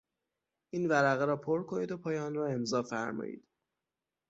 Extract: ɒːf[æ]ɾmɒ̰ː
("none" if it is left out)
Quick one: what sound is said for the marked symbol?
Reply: æ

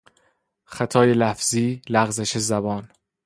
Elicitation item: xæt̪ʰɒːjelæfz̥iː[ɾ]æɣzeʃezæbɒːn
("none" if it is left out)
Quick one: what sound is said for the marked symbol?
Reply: l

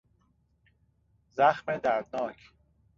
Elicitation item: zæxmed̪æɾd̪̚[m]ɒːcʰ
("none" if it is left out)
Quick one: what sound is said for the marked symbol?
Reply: n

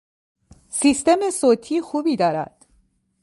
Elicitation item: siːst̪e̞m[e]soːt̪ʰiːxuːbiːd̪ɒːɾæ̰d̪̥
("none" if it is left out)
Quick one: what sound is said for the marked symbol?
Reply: e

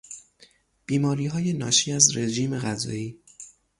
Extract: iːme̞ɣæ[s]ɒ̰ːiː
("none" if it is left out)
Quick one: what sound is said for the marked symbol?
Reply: z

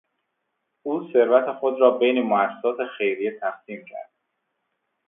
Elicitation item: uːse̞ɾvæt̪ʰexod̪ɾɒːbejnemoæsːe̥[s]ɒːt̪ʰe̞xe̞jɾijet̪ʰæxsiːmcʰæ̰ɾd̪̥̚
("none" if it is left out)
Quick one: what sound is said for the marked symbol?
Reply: s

